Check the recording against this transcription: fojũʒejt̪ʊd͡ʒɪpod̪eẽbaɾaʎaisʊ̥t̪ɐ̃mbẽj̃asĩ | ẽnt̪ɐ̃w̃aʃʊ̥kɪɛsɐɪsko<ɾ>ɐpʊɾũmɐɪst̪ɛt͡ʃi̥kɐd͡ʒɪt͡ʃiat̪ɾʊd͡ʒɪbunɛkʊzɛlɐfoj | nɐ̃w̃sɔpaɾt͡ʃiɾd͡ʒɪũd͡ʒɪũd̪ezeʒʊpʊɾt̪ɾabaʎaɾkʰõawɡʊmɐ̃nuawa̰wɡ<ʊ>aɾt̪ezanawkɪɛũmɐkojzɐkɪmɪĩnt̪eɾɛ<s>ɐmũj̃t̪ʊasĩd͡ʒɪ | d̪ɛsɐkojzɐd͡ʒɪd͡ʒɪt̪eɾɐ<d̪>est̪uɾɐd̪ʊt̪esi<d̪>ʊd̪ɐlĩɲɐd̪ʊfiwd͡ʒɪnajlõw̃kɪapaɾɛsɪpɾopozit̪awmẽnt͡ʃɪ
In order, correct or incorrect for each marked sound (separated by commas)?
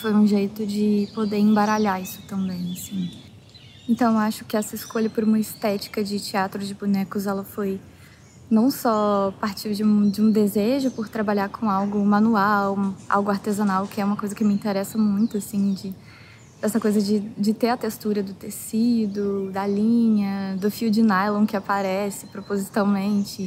incorrect, correct, correct, incorrect, correct